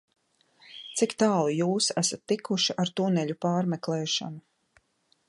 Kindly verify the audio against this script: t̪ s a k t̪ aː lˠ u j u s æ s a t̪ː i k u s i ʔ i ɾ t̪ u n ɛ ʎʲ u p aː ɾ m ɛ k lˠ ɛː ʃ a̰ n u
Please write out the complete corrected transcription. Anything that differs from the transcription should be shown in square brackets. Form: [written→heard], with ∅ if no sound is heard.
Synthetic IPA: t̪ s [a→i] k t̪ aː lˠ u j [u→uː] s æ s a t̪ː i k u [s→ʃ] i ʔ [i→a] ɾ t̪ u n ɛ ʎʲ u p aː ɾ m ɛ k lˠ ɛː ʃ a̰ n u